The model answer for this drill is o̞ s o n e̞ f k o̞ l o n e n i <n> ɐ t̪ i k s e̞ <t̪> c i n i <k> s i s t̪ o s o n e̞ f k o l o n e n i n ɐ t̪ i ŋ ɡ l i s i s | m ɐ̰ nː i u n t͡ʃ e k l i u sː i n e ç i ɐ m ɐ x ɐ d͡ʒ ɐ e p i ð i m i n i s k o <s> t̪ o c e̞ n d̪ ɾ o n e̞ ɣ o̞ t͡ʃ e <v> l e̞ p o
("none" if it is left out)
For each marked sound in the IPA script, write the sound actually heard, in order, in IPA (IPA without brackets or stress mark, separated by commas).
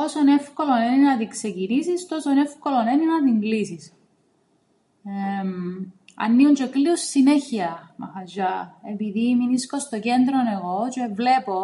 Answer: n, none, none, s, v